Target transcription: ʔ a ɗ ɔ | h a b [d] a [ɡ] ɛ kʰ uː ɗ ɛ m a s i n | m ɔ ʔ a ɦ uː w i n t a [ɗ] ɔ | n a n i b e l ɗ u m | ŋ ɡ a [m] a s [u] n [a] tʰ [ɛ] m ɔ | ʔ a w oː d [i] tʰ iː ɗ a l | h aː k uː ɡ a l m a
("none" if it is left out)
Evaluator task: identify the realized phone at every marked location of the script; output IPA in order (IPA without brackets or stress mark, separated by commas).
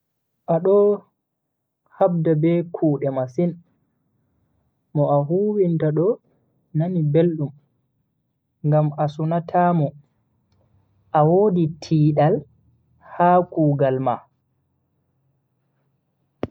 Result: d, b, ɗ, m, u, a, a, i